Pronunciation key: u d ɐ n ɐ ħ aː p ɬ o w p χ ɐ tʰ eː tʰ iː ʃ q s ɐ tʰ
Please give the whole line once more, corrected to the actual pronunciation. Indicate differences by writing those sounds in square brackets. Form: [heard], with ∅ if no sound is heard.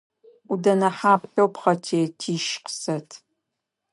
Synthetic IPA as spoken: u d ɐ n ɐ ħ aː p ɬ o w p χ ɐ tʰ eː tʰ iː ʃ q s ɐ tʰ